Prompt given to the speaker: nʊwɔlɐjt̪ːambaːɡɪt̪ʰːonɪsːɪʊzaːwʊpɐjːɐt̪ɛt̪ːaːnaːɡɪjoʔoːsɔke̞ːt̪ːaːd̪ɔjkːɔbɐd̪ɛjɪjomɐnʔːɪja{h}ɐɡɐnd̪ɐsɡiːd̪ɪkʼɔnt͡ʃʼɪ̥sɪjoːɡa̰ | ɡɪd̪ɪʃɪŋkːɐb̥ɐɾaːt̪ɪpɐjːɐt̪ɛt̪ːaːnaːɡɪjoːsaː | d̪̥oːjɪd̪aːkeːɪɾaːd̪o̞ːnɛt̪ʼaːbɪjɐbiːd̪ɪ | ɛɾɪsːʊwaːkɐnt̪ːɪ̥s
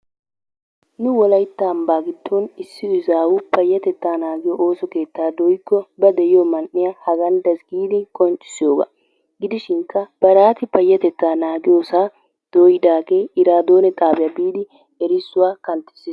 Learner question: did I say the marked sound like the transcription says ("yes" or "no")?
yes